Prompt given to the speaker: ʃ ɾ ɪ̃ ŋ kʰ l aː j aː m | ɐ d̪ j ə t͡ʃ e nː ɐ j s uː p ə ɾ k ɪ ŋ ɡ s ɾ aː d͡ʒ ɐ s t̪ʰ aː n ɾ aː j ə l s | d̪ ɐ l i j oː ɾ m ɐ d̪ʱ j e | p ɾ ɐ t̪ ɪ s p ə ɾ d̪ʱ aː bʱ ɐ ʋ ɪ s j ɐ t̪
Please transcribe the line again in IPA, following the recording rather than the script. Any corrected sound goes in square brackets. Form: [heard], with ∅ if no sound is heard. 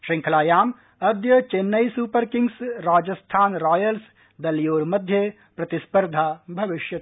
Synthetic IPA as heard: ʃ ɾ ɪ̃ ŋ kʰ l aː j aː m | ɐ d̪ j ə t͡ʃ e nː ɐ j s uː p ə ɾ k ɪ ŋ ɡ s ɾ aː d͡ʒ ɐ s t̪ʰ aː n ɾ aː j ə l s | d̪ ɐ l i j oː ɾ m ɐ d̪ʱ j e | p ɾ ɐ t̪ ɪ s p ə ɾ d̪ʱ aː bʱ ɐ ʋ ɪ [ʃ] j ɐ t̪